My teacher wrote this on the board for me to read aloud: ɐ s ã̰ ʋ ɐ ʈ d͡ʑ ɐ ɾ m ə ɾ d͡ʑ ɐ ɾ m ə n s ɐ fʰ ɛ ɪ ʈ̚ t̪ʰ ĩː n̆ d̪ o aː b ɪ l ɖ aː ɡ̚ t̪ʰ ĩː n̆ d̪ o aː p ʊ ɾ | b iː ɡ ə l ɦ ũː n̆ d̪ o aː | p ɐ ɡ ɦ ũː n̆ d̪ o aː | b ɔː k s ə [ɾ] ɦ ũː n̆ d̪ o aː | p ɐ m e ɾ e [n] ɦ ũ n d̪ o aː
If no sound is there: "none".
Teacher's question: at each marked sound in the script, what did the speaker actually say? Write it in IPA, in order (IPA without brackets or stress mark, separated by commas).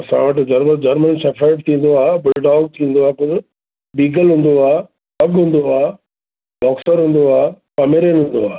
ɾ, n